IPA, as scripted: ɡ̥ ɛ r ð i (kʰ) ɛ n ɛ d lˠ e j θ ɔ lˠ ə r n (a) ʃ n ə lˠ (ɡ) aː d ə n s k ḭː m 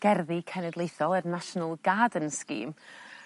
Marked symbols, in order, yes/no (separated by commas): yes, yes, yes